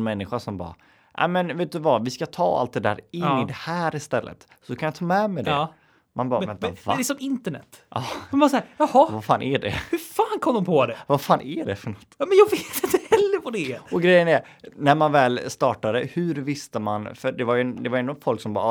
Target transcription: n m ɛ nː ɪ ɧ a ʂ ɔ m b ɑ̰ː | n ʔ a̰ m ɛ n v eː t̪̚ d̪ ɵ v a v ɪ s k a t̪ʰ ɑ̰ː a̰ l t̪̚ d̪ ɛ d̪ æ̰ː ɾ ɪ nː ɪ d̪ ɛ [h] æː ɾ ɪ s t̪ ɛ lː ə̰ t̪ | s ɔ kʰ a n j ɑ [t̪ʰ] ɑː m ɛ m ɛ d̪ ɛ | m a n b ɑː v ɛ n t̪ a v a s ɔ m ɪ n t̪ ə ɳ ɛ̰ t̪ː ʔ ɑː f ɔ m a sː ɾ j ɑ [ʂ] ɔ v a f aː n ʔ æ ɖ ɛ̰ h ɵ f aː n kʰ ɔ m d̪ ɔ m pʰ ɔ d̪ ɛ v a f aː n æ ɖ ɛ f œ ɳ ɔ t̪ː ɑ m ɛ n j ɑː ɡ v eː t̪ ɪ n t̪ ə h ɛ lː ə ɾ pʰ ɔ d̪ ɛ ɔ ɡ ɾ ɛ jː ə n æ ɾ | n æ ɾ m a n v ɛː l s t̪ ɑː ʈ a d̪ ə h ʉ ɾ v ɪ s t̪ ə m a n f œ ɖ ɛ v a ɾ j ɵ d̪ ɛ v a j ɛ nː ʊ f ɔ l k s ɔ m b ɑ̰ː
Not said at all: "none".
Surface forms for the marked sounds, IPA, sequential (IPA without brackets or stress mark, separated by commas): h, t̪ʰ, h